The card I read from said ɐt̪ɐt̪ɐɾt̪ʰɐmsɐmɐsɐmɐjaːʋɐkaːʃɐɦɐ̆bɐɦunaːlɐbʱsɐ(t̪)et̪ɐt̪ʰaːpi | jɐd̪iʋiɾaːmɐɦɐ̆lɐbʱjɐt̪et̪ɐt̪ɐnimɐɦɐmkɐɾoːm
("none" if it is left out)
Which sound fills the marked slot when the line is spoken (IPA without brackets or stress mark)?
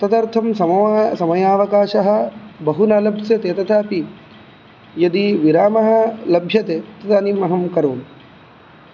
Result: t̪